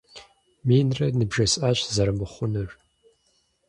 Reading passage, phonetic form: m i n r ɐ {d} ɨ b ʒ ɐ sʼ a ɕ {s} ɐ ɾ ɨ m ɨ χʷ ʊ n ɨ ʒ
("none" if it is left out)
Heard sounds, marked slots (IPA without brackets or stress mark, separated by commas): n, z